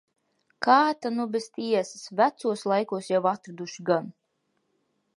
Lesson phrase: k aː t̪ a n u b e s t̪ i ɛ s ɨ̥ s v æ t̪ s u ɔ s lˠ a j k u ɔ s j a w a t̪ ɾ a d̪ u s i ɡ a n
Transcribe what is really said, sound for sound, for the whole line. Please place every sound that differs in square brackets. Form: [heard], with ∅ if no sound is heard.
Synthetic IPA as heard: k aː t̪ a n u b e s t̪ i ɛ s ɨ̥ s v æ t̪ s u ɔ s lˠ a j k u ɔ s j a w a t̪ ɾ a d̪ u [ʃ] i ɡ a n